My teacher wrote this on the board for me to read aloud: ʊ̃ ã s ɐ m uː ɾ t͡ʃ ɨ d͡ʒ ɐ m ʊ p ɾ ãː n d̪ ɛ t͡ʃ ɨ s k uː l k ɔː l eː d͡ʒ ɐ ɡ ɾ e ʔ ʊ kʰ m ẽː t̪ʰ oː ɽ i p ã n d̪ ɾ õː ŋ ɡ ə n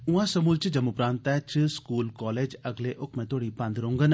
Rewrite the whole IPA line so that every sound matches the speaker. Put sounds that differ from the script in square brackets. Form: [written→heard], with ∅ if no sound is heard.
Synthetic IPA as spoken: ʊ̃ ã s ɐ m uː [ɾ→l] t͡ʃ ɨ d͡ʒ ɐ m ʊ p ɾ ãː n [d̪→t̪] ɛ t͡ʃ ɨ s k uː l k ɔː l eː d͡ʒ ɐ ɡ [ɾ→l] e ʔ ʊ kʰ m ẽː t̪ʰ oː ɽ i p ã n d̪ ɾ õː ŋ ɡ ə n